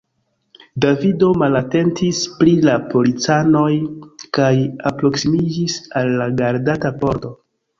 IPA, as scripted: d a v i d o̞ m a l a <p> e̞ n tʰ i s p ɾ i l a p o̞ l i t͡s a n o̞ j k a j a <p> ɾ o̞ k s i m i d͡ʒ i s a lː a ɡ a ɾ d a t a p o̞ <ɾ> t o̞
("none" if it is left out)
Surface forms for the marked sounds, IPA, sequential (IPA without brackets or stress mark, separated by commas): t, p, ɾ